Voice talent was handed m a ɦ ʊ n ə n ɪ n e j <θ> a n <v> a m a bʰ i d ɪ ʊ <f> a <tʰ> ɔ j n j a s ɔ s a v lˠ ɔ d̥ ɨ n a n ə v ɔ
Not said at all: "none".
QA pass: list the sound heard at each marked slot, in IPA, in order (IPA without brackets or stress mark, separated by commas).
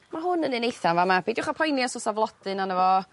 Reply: θ, v, χ, pʰ